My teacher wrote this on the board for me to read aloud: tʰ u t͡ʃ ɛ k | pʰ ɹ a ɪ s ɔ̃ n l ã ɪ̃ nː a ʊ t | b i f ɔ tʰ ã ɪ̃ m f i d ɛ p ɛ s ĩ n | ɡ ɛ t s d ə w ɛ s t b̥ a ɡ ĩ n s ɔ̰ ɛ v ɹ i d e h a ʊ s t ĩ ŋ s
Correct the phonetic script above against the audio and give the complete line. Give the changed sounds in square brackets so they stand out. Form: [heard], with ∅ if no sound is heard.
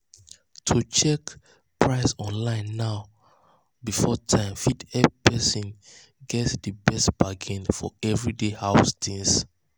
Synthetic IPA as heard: tʰ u t͡ʃ ɛ k | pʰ ɹ a ɪ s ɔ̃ n l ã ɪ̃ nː a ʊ [∅] | b i f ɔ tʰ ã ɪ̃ m f i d ɛ p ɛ s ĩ n | ɡ ɛ t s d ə [b] ɛ s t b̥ a ɡ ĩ n [f] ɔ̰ ɛ v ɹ i d e h a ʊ s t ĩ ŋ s